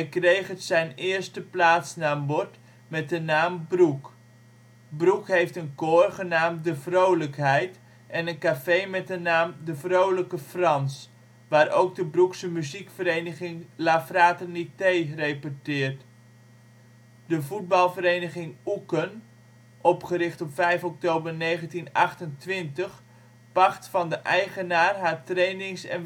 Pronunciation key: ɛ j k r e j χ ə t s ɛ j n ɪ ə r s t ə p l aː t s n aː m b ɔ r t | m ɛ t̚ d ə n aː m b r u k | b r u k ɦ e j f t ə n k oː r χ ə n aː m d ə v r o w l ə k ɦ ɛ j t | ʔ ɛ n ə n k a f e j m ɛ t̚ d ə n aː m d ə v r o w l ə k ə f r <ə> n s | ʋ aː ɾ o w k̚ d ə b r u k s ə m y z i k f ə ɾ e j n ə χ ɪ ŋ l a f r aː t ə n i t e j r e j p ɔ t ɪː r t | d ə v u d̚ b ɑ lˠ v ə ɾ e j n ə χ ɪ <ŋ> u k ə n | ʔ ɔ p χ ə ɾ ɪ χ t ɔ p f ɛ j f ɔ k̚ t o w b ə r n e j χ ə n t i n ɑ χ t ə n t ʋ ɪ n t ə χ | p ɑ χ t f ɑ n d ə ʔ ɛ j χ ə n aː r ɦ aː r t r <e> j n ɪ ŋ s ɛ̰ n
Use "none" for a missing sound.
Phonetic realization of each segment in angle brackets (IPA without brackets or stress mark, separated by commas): ɑ, ŋ, e